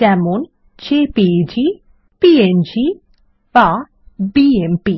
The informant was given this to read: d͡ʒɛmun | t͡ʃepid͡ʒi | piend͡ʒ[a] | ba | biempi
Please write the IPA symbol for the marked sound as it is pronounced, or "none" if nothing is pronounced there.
i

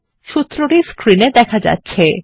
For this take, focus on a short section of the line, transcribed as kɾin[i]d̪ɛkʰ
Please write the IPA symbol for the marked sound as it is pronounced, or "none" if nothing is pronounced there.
e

